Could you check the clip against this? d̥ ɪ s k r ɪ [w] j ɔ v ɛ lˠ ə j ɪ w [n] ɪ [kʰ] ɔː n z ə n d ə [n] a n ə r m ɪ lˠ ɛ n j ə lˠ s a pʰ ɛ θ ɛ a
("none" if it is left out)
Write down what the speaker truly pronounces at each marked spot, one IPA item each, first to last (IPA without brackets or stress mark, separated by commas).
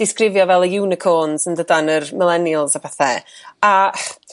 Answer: v, n, kʰ, d